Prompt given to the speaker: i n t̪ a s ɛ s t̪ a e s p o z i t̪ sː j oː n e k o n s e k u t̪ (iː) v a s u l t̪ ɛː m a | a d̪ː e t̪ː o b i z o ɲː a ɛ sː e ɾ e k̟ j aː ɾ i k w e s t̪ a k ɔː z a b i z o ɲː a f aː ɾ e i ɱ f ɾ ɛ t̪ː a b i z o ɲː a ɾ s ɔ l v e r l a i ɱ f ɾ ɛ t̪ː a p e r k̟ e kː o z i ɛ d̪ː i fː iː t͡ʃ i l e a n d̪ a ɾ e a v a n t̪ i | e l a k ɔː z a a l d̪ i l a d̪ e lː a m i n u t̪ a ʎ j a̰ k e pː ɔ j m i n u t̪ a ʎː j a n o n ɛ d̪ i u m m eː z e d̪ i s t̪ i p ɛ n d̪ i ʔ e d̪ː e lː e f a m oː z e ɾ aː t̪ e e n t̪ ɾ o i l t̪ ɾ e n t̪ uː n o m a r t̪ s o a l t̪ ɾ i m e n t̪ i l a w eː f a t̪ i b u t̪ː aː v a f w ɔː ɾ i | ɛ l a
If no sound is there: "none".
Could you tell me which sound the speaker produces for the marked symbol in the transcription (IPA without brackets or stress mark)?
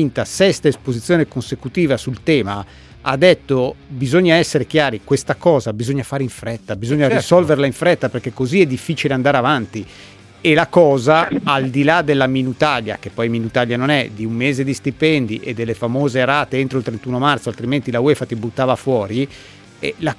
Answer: iː